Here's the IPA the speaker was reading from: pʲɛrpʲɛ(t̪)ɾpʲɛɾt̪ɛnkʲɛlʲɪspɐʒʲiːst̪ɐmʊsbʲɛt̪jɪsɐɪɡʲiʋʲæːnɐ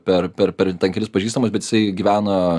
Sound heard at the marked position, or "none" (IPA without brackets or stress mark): none